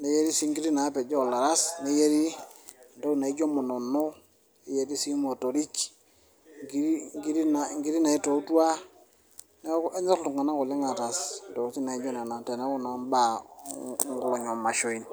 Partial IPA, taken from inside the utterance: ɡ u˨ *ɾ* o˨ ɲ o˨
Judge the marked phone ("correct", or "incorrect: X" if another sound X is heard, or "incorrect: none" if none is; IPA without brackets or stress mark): incorrect: l